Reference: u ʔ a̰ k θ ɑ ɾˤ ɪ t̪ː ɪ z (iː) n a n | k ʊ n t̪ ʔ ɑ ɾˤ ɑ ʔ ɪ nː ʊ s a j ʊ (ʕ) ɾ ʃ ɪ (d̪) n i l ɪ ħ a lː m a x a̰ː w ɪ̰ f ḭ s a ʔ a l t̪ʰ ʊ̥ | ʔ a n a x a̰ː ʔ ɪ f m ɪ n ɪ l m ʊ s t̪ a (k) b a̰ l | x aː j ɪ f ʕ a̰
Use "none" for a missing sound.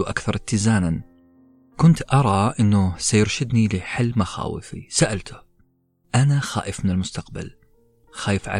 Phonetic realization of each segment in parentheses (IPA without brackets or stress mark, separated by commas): aː, none, d̪, q